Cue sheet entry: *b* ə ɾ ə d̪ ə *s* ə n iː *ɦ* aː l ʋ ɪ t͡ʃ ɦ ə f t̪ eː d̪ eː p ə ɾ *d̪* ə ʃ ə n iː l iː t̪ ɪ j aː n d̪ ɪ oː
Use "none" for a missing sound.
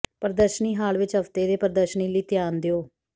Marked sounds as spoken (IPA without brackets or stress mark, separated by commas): p, ʃ, ɦ, d̪